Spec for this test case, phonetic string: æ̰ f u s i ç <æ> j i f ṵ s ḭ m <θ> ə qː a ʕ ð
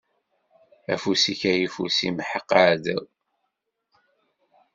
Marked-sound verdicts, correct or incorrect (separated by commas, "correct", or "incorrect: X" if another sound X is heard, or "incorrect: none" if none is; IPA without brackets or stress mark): correct, incorrect: ħ